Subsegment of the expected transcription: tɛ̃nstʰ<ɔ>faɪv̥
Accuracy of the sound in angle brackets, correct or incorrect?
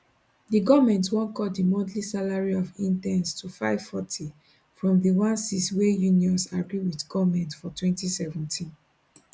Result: incorrect